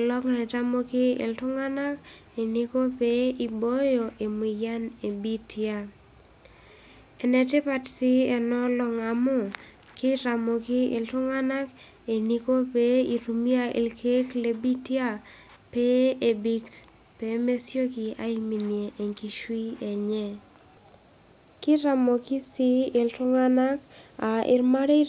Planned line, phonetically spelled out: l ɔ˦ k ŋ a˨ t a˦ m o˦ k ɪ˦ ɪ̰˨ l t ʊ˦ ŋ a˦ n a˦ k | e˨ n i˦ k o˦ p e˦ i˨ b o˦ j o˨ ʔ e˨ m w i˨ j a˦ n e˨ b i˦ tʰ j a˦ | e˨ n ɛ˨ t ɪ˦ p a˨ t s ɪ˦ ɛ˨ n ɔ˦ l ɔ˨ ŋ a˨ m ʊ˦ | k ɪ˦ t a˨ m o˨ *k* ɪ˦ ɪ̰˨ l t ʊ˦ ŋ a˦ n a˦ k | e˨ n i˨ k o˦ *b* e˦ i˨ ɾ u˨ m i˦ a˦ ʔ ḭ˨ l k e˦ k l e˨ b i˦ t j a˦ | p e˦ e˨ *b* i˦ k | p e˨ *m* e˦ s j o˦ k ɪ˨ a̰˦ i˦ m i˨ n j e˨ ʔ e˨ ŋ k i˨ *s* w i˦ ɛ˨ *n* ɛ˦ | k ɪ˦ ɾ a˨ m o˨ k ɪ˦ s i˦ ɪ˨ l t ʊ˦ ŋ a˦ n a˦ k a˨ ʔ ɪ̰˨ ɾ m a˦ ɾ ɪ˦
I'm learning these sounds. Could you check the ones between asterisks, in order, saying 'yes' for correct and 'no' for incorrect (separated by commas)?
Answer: yes, no, yes, yes, no, no